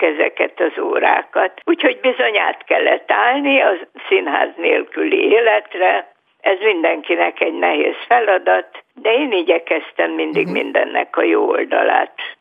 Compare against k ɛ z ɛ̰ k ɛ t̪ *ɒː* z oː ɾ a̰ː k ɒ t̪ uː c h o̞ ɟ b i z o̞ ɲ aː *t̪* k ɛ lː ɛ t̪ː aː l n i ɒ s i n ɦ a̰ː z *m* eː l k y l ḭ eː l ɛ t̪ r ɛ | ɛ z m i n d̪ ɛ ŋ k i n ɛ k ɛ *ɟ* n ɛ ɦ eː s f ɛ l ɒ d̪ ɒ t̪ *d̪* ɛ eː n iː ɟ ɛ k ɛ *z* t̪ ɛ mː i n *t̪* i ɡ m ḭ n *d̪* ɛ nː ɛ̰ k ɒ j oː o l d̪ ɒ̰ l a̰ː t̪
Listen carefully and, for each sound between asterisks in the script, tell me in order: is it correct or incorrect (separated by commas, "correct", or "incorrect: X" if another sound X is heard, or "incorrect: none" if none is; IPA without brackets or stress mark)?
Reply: incorrect: ɒ, correct, incorrect: n, correct, correct, incorrect: s, incorrect: d̪, correct